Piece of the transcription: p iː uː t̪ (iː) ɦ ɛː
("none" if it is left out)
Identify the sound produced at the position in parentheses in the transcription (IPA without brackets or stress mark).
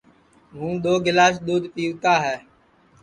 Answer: aː